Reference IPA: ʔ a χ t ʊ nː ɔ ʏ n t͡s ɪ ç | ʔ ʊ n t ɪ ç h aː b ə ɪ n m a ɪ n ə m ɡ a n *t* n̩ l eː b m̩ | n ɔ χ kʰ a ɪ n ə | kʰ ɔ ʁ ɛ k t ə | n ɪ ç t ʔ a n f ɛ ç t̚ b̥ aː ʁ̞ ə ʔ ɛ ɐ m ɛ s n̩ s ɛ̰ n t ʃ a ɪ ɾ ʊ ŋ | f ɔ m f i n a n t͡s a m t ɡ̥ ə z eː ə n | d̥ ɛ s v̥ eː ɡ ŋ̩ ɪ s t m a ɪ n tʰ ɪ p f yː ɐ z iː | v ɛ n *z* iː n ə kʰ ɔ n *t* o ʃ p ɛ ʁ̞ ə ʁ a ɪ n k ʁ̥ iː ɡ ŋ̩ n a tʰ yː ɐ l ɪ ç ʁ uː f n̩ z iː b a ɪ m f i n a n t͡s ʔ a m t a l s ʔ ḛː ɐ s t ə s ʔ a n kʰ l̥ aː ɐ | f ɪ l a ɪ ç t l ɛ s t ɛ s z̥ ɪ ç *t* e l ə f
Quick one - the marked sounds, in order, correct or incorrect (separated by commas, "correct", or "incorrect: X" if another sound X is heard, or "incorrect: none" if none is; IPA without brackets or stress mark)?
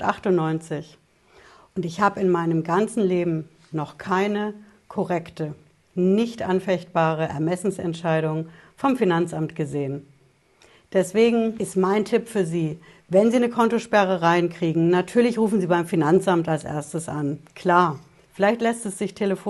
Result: incorrect: t͡s, correct, correct, incorrect: tʰ